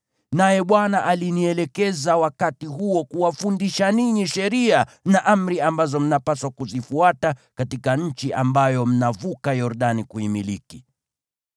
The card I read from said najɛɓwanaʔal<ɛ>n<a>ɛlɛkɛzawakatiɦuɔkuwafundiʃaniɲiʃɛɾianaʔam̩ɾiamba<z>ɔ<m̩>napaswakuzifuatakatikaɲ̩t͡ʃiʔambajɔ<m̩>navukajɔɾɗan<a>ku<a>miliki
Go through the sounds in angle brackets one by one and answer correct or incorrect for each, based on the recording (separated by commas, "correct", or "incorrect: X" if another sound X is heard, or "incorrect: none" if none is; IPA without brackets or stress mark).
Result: incorrect: i, incorrect: i, correct, correct, correct, incorrect: i, incorrect: i